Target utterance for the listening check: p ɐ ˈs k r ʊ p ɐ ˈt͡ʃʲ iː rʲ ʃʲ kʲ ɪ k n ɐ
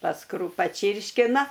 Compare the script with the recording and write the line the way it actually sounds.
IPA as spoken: p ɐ ˈs k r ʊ p ɐ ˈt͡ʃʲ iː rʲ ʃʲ kʲ ɪ n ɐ